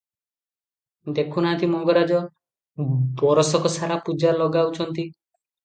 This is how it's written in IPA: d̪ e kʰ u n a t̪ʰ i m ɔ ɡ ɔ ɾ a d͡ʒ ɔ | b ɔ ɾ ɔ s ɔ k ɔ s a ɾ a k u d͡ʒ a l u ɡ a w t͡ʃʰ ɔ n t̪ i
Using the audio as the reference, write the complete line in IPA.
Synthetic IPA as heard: d̪ e kʰ u n a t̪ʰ i m ɔ ɡ ɔ ɾ a d͡ʒ ɔ | b ɔ ɾ ɔ s ɔ k ɔ s a ɾ a p u d͡ʒ a l ɔ ɡ a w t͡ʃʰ ɔ n t̪ i